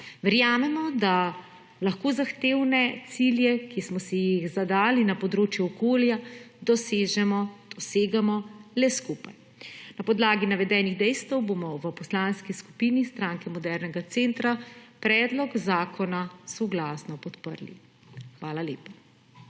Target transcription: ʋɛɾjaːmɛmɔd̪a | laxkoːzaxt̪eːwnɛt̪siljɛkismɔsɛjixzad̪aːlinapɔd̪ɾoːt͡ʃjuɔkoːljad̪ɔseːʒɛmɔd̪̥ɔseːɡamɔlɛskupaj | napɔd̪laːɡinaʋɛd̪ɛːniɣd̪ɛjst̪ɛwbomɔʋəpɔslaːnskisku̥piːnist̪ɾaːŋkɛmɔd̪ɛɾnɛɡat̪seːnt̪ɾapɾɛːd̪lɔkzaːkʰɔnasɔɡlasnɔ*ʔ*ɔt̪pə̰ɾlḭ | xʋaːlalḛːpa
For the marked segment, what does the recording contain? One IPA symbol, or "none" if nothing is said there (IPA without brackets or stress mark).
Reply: p